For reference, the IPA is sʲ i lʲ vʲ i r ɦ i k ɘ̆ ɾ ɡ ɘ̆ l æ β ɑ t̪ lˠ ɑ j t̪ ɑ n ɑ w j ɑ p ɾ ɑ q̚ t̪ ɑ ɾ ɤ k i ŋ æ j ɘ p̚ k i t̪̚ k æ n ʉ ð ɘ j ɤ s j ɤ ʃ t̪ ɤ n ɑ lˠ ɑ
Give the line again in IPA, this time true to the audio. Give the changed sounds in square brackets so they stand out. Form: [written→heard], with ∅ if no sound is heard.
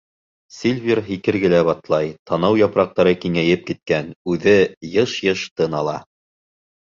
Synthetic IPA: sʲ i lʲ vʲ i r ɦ i k ɘ̆ ɾ ɡ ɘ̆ l æ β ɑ t̪ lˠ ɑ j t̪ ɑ n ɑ w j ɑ p ɾ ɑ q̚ t̪ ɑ ɾ ɤ k i ŋ æ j ɘ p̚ k i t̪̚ k æ n ʉ ð ɘ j ɤ [s→ʃ] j ɤ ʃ t̪ ɤ n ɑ lˠ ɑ